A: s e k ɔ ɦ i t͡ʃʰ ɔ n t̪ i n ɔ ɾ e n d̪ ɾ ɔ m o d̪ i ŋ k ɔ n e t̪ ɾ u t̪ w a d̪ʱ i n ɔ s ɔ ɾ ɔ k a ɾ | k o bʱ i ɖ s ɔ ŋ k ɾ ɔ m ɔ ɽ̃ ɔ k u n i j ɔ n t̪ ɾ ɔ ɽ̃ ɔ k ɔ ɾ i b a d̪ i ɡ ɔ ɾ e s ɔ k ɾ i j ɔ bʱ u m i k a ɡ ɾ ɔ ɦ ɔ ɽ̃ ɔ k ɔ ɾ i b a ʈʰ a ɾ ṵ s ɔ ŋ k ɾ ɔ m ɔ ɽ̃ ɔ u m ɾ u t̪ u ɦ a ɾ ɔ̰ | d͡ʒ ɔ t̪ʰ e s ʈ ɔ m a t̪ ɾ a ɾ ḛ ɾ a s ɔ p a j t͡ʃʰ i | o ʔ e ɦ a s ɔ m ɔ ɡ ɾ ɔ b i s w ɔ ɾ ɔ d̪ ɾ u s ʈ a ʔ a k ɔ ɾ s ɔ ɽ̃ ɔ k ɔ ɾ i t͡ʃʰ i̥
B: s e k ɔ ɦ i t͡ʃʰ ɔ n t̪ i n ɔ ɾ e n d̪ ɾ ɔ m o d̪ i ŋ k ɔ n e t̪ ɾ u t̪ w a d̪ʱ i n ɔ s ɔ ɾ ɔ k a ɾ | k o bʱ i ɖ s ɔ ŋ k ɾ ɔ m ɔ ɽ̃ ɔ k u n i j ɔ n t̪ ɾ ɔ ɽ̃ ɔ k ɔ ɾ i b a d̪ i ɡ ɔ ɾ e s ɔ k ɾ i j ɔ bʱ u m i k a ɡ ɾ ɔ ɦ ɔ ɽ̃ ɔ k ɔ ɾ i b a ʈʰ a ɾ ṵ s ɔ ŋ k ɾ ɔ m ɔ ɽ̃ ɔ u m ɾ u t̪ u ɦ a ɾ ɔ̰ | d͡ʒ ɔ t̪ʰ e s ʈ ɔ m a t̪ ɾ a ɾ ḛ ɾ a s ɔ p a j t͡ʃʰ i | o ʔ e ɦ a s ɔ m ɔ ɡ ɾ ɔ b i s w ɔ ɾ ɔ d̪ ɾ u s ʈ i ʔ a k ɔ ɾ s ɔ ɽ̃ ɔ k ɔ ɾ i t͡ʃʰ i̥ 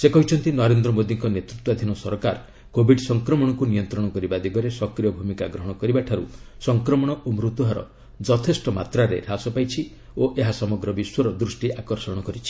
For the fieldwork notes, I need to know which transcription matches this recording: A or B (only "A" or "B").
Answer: B